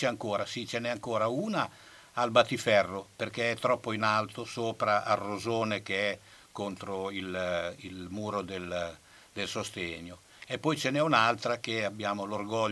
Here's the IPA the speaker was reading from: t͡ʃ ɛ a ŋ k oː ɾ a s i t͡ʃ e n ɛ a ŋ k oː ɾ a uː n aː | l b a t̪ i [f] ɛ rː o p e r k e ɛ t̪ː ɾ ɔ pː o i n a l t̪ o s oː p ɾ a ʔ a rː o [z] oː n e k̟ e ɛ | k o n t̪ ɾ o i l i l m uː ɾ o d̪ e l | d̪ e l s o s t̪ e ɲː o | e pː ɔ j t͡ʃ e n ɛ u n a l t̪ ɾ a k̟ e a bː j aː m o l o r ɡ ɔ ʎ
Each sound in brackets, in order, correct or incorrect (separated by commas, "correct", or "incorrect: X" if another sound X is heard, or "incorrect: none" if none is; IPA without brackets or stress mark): correct, correct